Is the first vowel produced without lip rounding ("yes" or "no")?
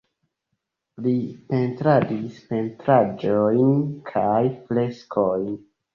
yes